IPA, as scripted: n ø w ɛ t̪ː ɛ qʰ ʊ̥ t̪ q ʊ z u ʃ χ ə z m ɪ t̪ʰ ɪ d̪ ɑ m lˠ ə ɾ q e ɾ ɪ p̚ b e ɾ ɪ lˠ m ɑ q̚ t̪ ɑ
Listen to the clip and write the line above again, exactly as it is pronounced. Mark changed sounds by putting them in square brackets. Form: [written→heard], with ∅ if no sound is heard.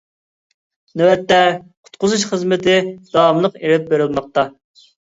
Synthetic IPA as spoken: n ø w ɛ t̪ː ɛ qʰ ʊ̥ t̪ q ʊ z u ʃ χ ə z m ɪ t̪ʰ ɪ d̪ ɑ m lˠ ə [ɾ→∅] q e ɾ ɪ p̚ b e ɾ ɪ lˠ m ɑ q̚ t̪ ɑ